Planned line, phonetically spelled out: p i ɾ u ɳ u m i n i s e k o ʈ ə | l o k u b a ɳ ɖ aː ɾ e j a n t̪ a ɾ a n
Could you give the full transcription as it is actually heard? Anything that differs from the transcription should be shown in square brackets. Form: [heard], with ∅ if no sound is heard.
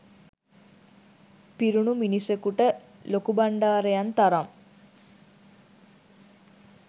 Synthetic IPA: p i ɾ u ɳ u m i n i s e k [u] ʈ ə | l o k u b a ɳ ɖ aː ɾ e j a n t̪ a ɾ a [m]